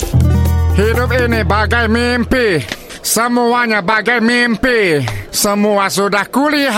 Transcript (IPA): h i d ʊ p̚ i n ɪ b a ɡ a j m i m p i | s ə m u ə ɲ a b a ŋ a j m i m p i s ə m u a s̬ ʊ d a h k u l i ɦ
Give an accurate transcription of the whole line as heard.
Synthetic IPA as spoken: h i d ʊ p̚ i n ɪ b a ɡ a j m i m p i | s ə m u a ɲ a b a ɡ a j m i m p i s ə m u a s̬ u d a h k u l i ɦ